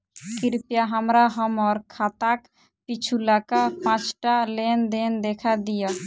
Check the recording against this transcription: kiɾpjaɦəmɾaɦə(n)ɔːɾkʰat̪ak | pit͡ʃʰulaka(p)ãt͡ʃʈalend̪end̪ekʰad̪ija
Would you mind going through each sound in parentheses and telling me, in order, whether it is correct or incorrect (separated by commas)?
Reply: incorrect, correct